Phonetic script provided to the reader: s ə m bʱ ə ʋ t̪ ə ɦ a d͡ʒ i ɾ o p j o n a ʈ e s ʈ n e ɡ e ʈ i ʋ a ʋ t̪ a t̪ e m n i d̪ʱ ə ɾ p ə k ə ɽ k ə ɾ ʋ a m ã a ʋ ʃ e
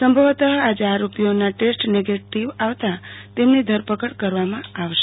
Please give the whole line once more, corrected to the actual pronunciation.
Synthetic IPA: s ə m bʱ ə ʋ t̪ ə ɦ a d͡ʒ a ɾ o p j o n a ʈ e s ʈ n e ɡ e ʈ i ʋ a ʋ t̪ a t̪ e m n i d̪ʱ ə ɾ p ə k ə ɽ k ə ɾ ʋ a m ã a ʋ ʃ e